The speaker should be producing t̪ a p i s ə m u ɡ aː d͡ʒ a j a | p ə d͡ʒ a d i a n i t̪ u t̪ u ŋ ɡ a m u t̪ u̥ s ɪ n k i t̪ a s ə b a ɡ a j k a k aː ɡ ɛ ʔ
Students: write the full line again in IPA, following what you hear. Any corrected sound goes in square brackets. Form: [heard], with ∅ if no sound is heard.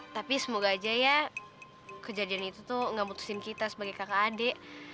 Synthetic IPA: t̪ a p i s ə m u ɡ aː d͡ʒ a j a | [k] ə d͡ʒ a d i a n i t̪ u t̪ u ŋ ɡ a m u t̪ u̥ s ɪ n k i t̪ a s ə b a ɡ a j k a k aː [d] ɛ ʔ